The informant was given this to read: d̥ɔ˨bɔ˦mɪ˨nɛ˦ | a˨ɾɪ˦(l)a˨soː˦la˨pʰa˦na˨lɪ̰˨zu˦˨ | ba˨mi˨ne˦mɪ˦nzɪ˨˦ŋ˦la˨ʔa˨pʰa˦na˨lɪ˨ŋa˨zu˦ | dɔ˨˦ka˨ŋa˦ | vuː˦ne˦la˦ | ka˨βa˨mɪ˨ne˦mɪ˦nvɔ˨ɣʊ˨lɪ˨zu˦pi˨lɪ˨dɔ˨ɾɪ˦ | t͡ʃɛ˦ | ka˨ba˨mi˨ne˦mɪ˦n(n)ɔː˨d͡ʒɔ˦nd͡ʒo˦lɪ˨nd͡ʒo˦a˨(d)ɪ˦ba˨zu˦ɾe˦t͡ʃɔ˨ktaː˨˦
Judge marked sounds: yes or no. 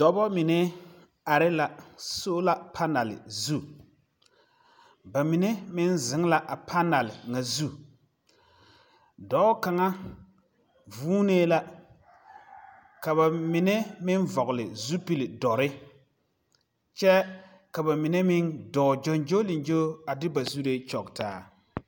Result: yes, no, yes

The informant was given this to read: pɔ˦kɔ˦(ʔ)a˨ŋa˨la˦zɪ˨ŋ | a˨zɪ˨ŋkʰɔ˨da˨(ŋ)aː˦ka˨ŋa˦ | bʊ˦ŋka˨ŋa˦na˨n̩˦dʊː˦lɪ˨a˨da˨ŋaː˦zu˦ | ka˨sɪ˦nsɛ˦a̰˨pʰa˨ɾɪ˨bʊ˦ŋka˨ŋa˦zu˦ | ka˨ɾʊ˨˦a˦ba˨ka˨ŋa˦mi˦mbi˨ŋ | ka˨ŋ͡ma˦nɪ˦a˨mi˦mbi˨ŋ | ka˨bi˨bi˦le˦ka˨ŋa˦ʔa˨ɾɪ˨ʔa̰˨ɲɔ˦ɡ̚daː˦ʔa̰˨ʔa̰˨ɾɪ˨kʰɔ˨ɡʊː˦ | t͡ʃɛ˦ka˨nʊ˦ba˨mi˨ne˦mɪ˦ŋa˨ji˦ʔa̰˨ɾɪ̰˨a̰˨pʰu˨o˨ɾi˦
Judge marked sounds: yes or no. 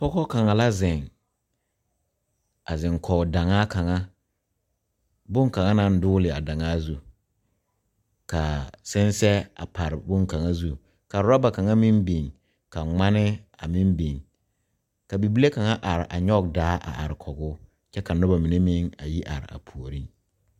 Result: no, yes

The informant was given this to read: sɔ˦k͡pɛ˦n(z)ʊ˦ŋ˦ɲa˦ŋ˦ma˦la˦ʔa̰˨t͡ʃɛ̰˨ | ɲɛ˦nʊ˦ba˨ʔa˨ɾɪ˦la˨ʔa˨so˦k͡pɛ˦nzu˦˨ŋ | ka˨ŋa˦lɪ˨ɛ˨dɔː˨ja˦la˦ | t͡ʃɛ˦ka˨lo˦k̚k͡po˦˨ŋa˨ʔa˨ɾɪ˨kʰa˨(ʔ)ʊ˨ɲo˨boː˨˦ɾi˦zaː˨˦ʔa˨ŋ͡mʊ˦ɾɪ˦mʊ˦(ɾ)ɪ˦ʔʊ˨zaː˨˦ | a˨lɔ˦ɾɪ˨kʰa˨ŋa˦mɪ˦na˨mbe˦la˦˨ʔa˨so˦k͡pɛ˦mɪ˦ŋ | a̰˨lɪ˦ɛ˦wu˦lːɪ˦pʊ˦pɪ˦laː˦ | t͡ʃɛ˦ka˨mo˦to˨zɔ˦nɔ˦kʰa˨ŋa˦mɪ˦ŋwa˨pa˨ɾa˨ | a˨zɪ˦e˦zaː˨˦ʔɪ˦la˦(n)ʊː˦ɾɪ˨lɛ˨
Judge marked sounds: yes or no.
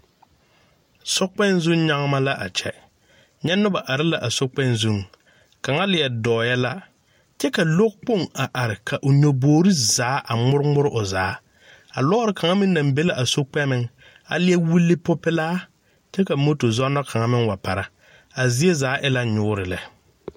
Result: yes, yes, yes, no

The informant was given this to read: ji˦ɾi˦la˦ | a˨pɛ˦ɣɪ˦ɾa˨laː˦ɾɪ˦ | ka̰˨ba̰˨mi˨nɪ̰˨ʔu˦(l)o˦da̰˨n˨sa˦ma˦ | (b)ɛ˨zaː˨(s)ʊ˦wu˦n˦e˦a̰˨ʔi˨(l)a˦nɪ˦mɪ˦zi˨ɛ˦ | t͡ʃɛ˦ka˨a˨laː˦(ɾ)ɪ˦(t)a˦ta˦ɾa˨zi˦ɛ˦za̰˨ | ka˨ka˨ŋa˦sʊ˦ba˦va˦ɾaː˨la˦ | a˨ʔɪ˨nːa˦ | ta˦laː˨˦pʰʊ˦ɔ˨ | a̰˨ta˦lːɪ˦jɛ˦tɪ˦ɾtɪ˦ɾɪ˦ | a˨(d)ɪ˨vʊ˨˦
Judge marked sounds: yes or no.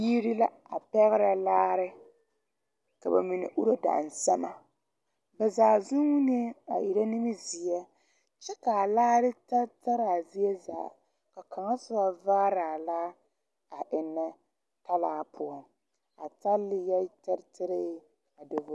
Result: no, yes, no, no, yes, yes, yes

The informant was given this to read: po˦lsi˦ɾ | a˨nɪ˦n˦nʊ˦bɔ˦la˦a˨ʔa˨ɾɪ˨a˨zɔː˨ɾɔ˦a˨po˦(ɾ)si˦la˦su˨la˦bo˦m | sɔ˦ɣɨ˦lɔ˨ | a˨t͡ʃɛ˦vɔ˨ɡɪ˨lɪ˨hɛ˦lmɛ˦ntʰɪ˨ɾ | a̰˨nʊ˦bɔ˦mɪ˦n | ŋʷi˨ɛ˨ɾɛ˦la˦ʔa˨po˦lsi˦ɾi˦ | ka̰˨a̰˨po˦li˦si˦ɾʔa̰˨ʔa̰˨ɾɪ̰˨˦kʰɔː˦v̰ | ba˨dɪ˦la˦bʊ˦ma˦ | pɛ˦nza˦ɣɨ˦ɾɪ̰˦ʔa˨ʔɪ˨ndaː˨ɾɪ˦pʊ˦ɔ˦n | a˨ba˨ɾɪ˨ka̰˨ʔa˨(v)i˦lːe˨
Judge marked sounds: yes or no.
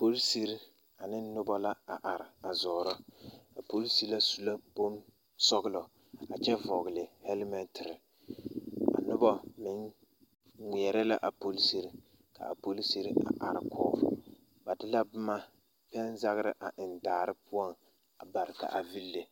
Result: no, yes

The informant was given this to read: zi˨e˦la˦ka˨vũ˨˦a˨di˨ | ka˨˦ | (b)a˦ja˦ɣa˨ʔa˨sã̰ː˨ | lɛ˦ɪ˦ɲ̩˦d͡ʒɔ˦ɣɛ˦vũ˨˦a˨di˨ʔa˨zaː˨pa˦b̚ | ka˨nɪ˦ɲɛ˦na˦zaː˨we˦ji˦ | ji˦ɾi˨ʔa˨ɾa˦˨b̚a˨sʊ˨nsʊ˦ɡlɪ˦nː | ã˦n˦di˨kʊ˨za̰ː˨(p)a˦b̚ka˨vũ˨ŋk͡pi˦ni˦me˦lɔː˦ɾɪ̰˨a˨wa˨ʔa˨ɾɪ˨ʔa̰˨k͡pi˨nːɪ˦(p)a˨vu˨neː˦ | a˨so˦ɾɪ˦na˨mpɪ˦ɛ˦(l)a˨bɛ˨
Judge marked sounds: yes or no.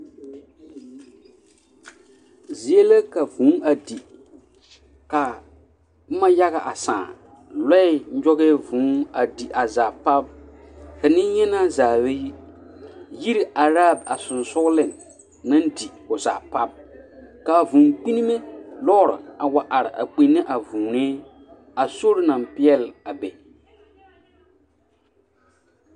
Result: no, yes, no, yes

